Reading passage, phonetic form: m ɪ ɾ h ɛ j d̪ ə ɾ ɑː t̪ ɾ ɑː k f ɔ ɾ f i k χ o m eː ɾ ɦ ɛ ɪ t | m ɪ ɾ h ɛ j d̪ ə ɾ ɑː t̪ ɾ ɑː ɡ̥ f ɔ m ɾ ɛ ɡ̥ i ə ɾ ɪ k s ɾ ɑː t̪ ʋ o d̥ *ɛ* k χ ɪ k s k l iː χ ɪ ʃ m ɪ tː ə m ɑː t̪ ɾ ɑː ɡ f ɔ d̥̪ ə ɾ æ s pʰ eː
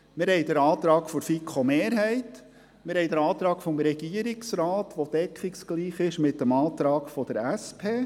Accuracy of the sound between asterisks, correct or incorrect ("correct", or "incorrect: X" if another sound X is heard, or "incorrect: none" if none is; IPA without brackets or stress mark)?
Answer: correct